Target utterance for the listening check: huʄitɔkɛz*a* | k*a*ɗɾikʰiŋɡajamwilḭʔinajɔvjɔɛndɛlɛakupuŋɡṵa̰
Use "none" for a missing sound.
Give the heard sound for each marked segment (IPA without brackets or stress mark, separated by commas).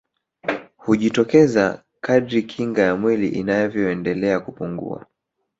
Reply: a, a